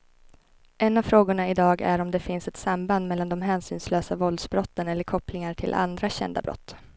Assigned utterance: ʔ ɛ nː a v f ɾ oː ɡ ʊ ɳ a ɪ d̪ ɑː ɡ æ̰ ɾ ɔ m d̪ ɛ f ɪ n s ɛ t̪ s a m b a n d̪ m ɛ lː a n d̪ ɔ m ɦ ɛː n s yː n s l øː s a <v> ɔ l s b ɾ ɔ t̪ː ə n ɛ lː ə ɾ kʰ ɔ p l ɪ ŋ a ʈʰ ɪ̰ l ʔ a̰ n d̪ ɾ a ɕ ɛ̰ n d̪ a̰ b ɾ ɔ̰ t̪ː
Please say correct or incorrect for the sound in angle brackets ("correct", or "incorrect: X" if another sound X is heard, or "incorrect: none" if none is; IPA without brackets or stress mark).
correct